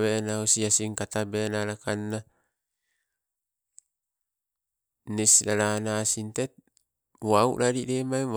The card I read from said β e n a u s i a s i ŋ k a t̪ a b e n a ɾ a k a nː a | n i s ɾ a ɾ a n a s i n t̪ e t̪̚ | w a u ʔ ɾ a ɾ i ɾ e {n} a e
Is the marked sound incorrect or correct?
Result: incorrect